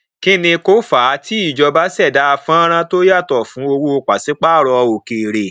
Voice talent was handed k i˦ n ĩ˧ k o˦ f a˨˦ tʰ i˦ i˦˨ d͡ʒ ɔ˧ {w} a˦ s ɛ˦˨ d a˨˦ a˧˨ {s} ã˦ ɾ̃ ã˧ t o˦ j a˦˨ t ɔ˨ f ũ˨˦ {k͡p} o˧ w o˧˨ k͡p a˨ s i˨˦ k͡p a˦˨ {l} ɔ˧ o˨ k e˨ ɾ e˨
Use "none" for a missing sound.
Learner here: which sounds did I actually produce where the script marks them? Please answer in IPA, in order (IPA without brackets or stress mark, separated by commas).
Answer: b, f, none, ɾ